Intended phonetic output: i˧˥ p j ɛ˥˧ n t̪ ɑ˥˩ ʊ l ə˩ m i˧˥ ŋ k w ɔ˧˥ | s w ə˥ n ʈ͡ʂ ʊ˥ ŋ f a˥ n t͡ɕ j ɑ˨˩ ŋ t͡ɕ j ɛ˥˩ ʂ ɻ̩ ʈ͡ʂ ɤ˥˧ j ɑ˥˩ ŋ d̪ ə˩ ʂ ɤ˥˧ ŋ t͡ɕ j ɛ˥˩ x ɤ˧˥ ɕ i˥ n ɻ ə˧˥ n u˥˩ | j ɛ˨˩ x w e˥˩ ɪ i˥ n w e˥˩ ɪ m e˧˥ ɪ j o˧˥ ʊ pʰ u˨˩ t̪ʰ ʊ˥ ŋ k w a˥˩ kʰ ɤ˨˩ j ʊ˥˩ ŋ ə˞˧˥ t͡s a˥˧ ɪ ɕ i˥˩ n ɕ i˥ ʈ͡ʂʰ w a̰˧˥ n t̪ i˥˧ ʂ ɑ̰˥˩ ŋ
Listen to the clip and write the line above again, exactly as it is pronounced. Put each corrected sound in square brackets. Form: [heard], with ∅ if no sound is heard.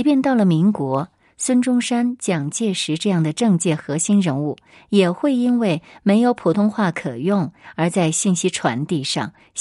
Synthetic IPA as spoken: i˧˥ p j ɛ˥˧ n t̪ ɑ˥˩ ʊ l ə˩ m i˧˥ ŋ k w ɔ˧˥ | s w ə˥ n ʈ͡ʂ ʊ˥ ŋ [ʂ] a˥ n t͡ɕ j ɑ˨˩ ŋ t͡ɕ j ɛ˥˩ ʂ ɻ̩ ʈ͡ʂ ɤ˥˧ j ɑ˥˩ ŋ d̪ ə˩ [ʈ͡ʂ] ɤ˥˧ ŋ t͡ɕ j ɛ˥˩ x ɤ˧˥ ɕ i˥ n ɻ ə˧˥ n u˥˩ | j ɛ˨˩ x w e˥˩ ɪ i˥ n w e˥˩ ɪ m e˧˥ ɪ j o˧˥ ʊ pʰ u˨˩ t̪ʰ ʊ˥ ŋ [x] w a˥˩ kʰ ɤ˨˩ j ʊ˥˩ ŋ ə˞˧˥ t͡s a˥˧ ɪ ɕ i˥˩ n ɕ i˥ ʈ͡ʂʰ w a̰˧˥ n t̪ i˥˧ ʂ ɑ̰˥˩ ŋ